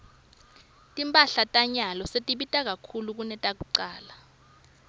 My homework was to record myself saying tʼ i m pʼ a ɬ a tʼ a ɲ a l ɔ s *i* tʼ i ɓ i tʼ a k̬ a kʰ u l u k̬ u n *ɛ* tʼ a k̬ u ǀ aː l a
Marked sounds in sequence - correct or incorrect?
incorrect, correct

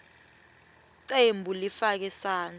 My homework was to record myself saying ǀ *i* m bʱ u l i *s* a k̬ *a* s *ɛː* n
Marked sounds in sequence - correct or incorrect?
incorrect, incorrect, incorrect, incorrect

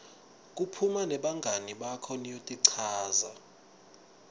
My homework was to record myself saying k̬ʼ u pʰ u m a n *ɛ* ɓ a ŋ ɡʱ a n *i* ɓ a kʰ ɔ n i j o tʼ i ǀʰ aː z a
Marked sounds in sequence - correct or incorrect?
correct, correct

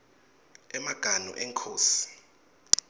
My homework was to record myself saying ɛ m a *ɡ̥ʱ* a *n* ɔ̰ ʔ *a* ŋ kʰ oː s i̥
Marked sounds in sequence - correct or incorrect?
correct, correct, incorrect

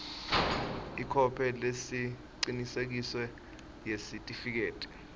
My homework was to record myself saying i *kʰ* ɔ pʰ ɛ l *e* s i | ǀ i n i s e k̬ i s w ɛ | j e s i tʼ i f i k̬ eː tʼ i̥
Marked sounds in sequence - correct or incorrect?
correct, correct

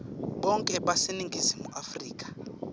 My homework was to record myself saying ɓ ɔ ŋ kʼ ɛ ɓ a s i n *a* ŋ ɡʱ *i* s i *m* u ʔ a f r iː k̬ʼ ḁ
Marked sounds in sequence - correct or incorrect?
incorrect, correct, correct

